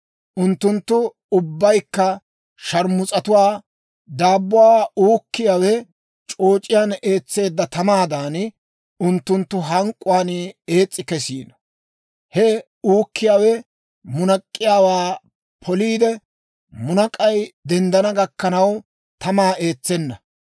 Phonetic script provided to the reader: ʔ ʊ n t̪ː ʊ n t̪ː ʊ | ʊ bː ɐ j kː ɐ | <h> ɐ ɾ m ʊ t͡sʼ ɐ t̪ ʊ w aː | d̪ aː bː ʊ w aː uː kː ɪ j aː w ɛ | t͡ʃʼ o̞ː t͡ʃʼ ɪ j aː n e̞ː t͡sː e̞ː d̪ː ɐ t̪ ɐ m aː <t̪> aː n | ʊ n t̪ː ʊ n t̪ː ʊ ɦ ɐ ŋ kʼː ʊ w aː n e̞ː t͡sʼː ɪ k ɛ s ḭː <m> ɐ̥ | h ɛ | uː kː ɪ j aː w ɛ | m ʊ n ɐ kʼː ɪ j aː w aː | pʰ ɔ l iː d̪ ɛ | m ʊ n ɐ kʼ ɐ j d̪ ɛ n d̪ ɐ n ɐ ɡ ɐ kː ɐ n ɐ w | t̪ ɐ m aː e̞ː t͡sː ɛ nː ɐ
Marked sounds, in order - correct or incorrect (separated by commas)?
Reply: incorrect, incorrect, incorrect